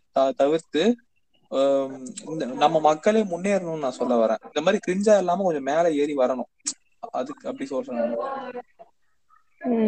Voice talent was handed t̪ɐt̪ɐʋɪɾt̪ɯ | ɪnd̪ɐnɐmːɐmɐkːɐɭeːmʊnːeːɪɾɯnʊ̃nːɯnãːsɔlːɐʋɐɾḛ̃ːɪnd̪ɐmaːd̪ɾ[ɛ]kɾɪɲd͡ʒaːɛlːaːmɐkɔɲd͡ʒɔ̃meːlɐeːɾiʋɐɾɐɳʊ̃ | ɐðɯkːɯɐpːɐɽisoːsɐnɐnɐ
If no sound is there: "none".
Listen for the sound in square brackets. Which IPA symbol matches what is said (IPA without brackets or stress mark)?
i